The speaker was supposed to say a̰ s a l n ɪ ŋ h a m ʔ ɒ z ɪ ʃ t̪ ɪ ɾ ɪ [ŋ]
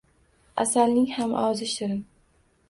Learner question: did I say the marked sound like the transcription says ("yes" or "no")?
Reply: no